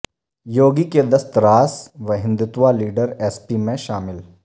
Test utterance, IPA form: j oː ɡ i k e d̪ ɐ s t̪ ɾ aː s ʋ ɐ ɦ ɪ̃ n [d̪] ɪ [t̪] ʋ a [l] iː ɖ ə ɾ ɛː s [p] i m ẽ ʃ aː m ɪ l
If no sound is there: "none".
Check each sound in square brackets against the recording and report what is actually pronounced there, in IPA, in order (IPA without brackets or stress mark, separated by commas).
d̪, t̪, l, p